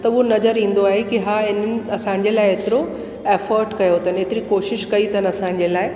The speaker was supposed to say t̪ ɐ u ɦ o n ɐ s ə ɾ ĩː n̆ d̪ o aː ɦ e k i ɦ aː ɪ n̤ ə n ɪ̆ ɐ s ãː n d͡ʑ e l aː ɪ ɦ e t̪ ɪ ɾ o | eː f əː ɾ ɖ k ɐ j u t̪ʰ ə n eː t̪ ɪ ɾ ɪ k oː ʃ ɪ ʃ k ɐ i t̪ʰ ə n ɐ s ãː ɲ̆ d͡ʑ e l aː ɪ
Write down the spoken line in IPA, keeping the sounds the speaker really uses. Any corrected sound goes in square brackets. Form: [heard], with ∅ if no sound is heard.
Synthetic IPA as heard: t̪ ɐ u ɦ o n ɐ [z] ə ɾ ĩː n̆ d̪ o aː ɦ e k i ɦ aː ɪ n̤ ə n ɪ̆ ɐ s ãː [ɲ] d͡ʑ e l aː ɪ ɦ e t̪ ɪ ɾ o | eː f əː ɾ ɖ k ɐ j [o] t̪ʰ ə n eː t̪ ɪ ɾ [i] k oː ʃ ɪ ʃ k ɐ i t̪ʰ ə n ɐ s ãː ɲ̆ d͡ʑ e l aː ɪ